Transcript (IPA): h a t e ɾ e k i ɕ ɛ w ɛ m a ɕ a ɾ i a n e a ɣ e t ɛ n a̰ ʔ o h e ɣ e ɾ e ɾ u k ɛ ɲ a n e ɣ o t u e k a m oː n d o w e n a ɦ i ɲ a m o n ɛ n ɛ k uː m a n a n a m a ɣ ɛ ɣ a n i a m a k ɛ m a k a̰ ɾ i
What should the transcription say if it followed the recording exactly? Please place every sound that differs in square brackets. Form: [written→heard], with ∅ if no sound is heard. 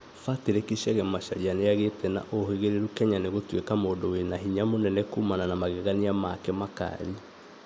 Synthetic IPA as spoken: [h→f] a t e ɾ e k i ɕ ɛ [w→ɣ] ɛ m a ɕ a ɾ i a n e a ɣ e t ɛ n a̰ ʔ o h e ɣ e ɾ e ɾ u k ɛ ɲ a n e ɣ o t [u→w] e k a m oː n d o w e n a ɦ i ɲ a m o n ɛ n ɛ k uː m a n a n a m a ɣ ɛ ɣ a n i a m a k ɛ m a k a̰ ɾ i